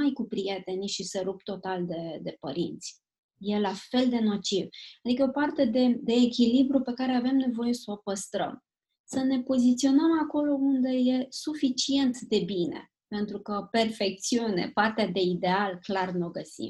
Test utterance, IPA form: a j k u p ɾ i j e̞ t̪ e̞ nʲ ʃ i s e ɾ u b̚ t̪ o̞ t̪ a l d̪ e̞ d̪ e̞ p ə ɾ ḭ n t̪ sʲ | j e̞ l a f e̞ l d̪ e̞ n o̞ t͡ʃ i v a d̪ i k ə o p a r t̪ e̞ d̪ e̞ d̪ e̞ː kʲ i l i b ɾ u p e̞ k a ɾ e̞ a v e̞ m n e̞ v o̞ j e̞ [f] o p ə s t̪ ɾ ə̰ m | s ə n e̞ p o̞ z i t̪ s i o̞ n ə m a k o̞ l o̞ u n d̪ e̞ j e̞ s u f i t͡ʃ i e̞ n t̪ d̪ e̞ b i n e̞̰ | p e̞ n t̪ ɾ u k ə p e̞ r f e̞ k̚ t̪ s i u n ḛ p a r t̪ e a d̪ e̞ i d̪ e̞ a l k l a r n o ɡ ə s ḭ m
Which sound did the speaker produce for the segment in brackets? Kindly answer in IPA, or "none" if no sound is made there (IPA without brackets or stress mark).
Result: s